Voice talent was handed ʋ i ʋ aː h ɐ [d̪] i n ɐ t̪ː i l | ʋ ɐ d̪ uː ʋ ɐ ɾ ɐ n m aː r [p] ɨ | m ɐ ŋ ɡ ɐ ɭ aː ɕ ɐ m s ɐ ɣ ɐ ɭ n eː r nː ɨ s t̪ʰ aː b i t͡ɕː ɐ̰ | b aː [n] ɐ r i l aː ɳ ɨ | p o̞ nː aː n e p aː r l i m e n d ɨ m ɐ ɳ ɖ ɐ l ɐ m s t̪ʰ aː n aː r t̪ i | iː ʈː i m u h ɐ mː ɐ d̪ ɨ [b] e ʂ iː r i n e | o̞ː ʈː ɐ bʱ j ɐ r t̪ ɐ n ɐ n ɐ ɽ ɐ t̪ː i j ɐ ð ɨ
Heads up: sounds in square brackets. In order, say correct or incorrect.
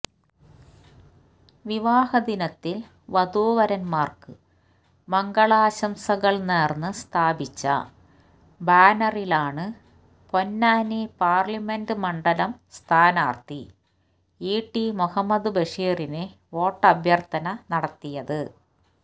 correct, incorrect: k, correct, correct

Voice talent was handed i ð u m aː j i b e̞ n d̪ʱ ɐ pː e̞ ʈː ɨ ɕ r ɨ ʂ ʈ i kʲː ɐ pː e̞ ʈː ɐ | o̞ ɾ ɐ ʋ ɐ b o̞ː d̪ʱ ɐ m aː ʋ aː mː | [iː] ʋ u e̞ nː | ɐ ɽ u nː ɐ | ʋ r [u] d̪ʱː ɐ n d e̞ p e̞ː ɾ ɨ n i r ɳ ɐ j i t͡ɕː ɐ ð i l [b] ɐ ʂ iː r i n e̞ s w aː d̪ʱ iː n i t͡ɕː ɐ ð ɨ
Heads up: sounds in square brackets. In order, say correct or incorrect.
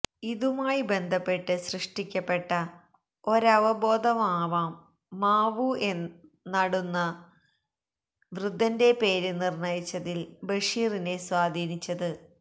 incorrect: aː, correct, correct

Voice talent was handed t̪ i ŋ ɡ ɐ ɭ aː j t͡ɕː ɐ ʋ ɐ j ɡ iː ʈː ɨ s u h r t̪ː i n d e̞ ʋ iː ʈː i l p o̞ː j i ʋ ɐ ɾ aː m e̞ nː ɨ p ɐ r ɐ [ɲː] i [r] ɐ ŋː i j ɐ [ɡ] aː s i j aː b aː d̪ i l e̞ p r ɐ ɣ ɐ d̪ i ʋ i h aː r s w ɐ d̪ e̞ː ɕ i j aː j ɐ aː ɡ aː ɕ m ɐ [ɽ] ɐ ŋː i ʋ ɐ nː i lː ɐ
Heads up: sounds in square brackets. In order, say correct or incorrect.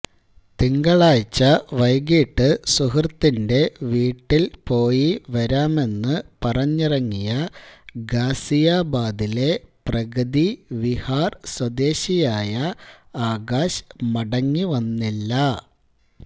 correct, correct, correct, correct

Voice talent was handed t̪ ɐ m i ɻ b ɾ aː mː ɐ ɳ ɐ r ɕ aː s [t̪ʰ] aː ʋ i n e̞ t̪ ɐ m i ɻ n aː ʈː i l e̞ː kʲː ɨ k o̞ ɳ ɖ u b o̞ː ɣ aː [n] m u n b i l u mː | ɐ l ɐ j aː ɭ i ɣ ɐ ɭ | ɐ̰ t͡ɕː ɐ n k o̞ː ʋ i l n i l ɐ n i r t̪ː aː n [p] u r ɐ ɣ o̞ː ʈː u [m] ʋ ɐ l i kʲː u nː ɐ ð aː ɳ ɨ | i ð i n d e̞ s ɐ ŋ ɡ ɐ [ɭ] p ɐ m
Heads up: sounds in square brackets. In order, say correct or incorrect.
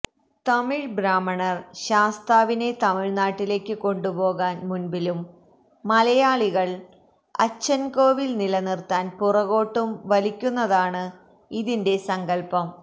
incorrect: t̪, correct, correct, correct, incorrect: l

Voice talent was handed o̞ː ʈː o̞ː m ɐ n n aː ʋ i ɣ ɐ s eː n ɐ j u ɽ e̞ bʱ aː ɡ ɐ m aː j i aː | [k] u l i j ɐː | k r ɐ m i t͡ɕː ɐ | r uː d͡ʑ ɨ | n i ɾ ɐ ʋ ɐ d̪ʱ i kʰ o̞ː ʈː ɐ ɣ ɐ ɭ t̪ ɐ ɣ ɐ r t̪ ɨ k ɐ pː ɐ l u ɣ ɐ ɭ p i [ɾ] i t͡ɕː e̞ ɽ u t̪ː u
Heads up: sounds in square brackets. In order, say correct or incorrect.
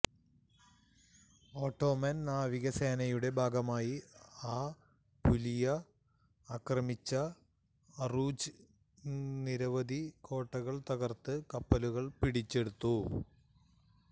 incorrect: p, incorrect: ɽ

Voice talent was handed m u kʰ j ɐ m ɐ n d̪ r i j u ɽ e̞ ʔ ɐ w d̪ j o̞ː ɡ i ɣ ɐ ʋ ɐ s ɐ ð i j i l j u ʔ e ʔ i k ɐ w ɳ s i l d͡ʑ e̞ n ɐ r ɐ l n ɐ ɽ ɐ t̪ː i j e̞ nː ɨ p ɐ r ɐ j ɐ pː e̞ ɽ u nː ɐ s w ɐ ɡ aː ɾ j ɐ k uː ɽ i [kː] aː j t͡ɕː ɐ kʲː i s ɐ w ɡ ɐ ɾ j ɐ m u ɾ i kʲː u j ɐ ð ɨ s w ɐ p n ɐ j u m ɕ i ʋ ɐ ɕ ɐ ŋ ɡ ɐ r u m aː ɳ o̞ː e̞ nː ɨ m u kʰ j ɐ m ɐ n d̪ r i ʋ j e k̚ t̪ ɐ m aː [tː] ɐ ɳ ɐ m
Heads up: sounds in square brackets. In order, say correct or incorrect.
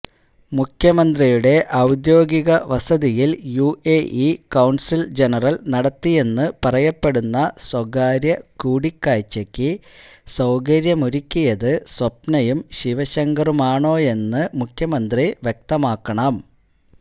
correct, incorrect: kː

